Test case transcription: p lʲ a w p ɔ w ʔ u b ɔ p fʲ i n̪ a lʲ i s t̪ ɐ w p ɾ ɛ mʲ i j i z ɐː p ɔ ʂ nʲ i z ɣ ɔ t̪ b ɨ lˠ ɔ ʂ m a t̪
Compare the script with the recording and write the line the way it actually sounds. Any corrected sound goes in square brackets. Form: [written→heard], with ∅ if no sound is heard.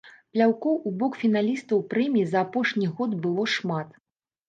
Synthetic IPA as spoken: p lʲ a w [p→k] ɔ w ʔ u b ɔ [p→k] fʲ i n̪ a lʲ i s t̪ ɐ w p ɾ ɛ mʲ i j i z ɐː p ɔ ʂ nʲ i [z→∅] ɣ ɔ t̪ b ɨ lˠ ɔ ʂ m a t̪